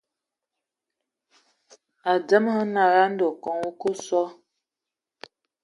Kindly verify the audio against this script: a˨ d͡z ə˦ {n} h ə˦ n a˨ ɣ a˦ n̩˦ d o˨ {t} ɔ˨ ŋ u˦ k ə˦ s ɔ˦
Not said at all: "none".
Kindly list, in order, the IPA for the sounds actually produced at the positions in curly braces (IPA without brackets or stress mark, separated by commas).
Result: m, k